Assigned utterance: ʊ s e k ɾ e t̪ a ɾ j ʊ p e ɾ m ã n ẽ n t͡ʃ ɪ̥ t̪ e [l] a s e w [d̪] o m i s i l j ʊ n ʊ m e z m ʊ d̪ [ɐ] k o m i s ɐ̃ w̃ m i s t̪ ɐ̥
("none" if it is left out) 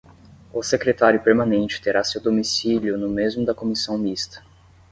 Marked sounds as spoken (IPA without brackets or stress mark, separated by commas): ɾ, d̪, ɐ